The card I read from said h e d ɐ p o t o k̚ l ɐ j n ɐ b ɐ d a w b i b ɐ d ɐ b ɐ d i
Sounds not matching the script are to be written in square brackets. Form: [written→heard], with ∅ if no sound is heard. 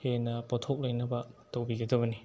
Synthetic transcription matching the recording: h e [d→n] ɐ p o [t→tʰ] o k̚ l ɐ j n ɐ b ɐ [d→t] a w b i [b→ɡ] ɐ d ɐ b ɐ [d→n] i